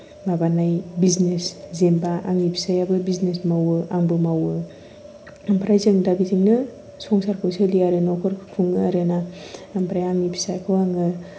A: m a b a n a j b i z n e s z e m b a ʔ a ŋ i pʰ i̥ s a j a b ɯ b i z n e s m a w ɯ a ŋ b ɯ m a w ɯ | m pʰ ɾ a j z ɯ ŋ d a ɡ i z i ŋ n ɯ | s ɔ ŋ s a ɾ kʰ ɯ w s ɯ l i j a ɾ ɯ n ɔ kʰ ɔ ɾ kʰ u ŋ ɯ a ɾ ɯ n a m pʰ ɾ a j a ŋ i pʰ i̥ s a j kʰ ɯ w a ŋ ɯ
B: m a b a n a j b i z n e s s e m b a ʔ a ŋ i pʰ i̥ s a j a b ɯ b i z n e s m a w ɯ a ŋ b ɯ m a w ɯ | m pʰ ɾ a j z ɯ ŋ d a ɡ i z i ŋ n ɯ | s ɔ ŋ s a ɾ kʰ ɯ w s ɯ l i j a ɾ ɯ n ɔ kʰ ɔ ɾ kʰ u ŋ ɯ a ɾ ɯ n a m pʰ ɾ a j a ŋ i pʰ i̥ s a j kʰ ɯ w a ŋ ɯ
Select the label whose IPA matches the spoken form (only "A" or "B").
A